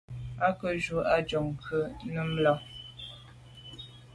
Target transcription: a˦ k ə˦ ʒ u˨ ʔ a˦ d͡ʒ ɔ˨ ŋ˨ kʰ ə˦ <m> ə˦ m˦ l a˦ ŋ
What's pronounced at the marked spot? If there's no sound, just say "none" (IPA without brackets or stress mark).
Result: n